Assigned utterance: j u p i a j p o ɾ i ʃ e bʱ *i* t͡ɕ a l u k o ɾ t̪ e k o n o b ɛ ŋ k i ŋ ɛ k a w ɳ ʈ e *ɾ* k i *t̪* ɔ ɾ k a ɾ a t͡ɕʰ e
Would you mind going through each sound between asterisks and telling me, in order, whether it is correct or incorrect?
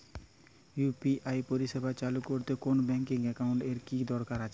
incorrect, correct, incorrect

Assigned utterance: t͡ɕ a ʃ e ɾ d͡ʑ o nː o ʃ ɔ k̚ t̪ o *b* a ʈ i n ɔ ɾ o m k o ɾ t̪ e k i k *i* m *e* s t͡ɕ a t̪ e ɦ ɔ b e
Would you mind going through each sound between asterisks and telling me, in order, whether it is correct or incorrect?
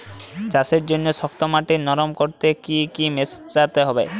incorrect, correct, correct

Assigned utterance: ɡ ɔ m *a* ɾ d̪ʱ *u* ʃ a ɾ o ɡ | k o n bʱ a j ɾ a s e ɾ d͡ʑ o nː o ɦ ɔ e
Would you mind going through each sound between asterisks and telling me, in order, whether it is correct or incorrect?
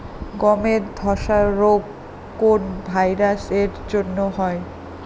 incorrect, incorrect

